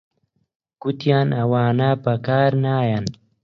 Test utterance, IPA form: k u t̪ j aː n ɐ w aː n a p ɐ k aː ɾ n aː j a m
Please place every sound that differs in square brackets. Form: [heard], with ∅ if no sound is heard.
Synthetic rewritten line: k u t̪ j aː n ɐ w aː n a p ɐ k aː ɾ n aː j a [n]